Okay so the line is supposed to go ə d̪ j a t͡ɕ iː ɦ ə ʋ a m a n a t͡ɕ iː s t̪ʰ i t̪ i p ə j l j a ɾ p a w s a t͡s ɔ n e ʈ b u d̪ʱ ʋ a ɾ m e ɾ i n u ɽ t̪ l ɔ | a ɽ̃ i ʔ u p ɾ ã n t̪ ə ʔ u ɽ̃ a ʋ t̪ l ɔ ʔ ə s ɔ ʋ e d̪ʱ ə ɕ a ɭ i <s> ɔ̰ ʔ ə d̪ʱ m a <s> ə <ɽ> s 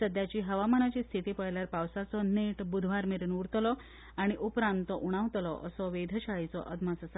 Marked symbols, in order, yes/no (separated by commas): no, yes, no